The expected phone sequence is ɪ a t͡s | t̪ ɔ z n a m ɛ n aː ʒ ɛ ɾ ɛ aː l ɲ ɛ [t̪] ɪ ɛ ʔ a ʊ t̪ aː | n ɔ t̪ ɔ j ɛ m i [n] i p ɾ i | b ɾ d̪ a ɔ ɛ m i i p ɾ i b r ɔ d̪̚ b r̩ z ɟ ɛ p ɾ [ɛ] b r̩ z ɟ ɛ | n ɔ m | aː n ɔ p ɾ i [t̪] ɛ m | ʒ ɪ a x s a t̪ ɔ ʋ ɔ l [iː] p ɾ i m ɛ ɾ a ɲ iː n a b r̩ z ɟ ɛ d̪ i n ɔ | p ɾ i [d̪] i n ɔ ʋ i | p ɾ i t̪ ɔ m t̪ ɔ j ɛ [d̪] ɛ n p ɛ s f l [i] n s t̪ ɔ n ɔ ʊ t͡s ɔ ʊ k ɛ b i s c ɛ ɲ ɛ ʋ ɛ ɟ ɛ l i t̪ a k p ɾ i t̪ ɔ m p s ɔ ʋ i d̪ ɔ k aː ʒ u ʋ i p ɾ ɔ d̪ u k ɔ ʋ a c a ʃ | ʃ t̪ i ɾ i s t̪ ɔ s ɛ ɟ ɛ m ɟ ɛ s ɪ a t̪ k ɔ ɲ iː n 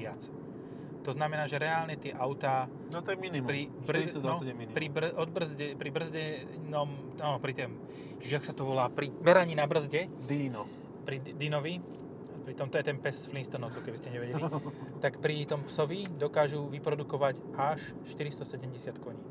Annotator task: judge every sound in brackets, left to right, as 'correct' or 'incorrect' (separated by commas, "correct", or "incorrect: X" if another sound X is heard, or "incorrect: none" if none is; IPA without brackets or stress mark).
correct, correct, incorrect: i, correct, incorrect: aː, correct, incorrect: t̪, correct